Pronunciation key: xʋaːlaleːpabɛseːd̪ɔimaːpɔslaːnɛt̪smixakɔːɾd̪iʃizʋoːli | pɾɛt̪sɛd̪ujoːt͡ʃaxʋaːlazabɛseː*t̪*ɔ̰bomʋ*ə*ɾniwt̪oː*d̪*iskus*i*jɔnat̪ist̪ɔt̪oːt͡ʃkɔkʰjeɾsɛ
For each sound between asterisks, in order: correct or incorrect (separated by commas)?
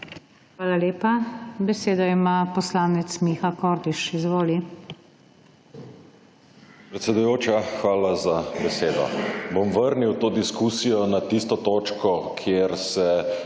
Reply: incorrect, correct, correct, correct